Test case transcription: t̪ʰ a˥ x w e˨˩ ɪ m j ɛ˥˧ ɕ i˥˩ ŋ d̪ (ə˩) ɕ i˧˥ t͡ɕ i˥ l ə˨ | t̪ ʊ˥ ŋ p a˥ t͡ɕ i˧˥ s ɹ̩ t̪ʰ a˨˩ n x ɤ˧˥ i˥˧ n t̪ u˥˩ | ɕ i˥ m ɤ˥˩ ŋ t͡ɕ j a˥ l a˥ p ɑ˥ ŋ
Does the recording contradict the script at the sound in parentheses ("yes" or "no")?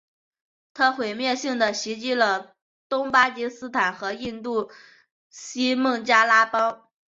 no